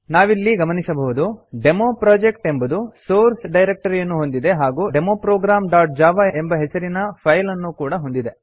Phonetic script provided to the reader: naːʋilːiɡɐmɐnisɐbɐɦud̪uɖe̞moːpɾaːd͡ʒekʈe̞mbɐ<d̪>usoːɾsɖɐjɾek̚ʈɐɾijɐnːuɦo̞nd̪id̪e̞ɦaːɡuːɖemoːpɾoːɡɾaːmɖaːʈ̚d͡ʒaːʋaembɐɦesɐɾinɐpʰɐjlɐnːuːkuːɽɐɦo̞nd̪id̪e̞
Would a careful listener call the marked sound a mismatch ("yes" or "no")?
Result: no